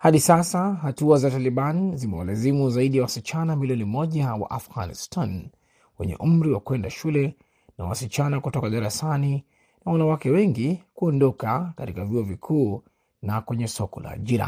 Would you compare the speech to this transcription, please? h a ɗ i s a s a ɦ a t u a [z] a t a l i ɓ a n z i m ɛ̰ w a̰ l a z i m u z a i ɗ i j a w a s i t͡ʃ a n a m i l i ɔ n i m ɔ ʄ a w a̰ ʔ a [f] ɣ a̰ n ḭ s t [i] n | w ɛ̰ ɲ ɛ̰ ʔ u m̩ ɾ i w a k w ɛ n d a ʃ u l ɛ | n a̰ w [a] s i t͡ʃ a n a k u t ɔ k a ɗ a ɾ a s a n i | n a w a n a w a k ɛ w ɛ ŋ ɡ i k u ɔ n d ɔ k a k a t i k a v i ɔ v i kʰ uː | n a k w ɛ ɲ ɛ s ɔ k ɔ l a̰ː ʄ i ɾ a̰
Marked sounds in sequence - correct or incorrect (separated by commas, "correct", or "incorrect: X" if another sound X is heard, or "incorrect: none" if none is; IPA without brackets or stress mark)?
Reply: correct, correct, incorrect: a, correct